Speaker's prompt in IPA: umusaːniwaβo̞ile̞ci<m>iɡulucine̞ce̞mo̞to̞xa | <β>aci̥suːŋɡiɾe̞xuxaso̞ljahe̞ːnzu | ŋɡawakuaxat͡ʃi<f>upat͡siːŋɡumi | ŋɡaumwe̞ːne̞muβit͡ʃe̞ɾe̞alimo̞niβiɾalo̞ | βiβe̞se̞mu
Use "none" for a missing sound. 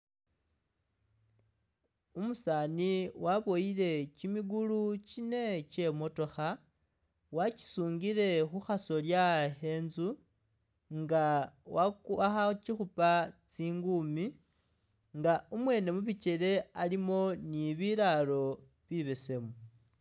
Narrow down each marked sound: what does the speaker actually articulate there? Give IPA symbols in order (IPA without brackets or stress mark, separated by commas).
m, w, x